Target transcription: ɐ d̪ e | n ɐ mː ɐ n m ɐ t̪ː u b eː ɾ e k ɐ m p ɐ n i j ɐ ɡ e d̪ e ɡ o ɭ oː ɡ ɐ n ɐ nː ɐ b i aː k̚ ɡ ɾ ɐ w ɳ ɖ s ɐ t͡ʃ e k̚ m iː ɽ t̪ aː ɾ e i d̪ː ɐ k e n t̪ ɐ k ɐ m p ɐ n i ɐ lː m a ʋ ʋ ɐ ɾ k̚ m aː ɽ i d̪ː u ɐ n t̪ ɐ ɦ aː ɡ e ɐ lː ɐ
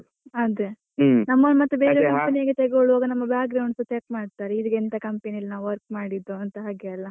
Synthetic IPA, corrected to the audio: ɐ d̪ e | n ɐ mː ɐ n m ɐ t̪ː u b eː ɾ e k ɐ m p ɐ n i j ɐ ɡ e t̪ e ɡ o ɭ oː ɡ ɐ n ɐ mː ɐ b j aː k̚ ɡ ɾ ɐ w ɳ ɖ s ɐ t͡ʃ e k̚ m aː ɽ t̪ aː ɾ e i d̪ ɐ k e n t̪ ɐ k ɐ m p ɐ n i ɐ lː n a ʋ ʋ ɐ ɾ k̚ m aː ɽ i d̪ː u ɐ n t̪ ɐ ɦ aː ɡ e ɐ lː ɐ